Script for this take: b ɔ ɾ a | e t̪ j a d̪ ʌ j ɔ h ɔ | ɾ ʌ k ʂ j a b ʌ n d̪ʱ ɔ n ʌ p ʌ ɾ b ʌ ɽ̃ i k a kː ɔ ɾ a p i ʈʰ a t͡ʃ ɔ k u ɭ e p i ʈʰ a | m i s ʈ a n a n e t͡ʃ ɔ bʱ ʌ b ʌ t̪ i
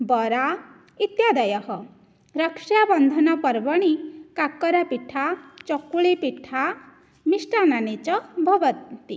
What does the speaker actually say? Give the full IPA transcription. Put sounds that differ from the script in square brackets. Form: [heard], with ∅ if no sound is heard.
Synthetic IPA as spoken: b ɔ ɾ a | [i] t̪ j a d̪ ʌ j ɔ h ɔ | ɾ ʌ k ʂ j a b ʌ n d̪ʱ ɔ n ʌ p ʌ ɾ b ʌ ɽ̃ i k a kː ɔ ɾ a p i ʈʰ a t͡ʃ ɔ k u ɭ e p i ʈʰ a | m i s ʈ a n a n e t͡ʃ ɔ bʱ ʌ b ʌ t̪ i